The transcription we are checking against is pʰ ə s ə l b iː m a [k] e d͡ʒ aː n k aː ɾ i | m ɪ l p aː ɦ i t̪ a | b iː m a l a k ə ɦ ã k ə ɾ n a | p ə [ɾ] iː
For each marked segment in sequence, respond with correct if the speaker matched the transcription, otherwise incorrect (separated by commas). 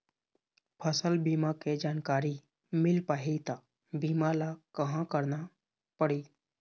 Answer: correct, incorrect